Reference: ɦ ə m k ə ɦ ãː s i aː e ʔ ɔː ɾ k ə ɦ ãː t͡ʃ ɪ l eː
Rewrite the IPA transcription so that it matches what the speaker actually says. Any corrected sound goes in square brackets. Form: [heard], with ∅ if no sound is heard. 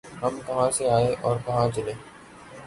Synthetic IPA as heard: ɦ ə m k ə ɦ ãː s [e] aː e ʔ ɔː ɾ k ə ɦ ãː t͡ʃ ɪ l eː